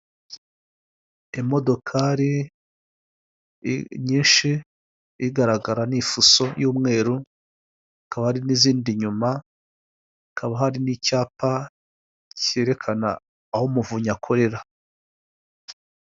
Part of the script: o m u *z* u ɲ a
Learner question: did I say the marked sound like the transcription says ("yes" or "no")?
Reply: no